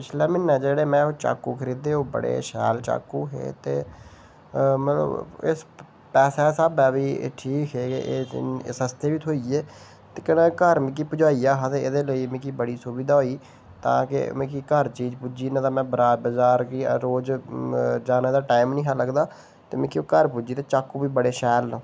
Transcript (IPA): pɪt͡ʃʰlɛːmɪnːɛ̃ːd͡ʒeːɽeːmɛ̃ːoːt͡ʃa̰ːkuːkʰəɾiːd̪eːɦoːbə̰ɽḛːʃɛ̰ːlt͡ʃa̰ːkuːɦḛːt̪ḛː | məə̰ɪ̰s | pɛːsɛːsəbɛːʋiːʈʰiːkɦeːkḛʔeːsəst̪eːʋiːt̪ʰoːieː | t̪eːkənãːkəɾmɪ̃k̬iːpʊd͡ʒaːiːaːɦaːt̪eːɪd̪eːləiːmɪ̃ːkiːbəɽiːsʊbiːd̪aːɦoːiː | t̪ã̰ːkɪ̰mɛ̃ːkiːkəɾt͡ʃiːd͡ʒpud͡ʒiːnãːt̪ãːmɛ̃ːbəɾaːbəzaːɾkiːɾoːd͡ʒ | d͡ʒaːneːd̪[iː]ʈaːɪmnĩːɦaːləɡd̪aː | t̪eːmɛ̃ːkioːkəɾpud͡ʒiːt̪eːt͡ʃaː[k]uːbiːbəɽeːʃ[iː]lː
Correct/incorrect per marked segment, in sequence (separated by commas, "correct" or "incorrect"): incorrect, correct, incorrect